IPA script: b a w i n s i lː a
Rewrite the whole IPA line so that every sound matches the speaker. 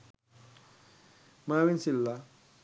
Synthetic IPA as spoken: m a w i n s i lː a